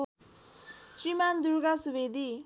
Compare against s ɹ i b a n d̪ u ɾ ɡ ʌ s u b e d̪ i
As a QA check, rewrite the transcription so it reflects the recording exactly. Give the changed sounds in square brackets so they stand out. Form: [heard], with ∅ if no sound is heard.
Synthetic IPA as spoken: s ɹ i [m] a n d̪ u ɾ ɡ [a] s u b e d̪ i